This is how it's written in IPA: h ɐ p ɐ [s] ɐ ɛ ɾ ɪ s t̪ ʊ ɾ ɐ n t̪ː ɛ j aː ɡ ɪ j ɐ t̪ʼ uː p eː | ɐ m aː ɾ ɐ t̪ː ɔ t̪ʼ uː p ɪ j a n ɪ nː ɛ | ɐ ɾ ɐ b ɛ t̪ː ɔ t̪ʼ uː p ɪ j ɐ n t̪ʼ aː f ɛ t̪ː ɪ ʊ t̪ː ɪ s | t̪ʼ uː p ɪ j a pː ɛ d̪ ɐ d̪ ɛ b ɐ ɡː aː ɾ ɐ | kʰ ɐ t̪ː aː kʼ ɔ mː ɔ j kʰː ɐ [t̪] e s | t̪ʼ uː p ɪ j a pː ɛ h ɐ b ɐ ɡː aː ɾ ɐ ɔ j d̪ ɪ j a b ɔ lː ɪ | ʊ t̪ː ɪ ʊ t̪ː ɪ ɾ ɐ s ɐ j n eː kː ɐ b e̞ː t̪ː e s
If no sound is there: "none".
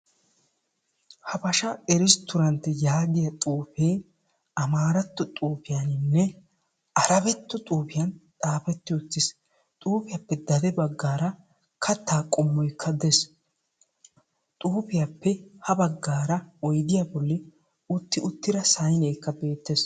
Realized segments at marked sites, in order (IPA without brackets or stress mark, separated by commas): ʃ, d̪